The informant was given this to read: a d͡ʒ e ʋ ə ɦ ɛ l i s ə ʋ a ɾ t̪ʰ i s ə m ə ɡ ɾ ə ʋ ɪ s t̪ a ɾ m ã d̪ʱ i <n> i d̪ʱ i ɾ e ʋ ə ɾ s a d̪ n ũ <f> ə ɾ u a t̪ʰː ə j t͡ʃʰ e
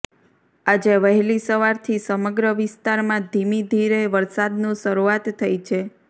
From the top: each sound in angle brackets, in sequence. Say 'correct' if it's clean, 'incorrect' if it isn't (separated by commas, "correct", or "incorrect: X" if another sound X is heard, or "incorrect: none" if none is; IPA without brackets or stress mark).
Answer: incorrect: m, incorrect: ʃ